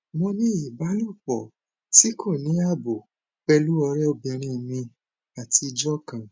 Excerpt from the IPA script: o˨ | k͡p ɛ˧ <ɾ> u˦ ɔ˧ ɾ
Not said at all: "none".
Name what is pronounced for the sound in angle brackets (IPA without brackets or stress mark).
l